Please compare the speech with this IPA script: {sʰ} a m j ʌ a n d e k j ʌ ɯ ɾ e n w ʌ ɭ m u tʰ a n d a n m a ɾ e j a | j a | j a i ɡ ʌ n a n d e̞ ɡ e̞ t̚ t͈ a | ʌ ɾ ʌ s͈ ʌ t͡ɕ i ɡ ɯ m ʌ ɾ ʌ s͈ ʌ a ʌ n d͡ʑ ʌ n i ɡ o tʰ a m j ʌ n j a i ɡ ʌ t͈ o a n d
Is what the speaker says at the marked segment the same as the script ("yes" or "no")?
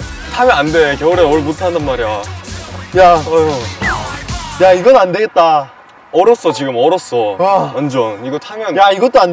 no